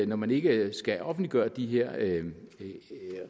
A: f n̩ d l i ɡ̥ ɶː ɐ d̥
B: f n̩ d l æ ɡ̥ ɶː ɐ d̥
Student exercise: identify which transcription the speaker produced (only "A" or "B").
A